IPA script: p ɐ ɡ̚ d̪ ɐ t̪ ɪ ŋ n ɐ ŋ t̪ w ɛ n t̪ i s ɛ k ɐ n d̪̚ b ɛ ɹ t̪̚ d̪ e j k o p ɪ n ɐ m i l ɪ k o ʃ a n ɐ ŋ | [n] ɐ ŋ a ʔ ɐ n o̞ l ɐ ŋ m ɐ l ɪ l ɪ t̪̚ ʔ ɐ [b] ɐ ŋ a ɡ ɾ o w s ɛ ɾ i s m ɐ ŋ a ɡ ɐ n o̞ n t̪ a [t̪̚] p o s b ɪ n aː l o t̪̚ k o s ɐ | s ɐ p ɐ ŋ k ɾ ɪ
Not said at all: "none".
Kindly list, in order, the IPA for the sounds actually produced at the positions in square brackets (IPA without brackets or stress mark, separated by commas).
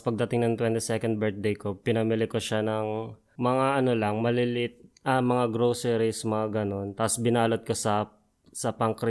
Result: m, m, none